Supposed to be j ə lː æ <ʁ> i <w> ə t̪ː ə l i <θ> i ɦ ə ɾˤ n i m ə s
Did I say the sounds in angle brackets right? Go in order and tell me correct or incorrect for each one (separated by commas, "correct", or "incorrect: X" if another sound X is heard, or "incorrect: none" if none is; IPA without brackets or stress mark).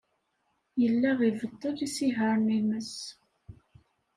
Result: correct, incorrect: v, incorrect: s